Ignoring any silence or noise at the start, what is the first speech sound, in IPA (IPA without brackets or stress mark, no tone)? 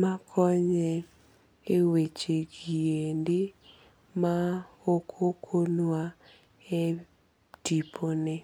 m